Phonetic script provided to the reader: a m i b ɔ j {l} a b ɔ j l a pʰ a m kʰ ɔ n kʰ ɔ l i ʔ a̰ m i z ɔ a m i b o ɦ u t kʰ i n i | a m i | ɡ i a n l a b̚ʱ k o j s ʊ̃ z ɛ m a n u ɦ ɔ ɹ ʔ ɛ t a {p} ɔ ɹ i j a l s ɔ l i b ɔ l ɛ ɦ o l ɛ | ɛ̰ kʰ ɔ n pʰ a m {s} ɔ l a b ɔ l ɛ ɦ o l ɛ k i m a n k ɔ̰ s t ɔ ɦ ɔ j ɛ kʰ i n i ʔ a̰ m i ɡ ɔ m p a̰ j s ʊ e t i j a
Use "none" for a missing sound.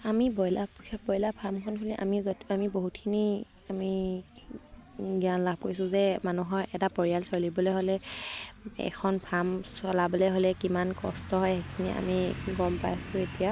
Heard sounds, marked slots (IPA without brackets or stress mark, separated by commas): l, p, s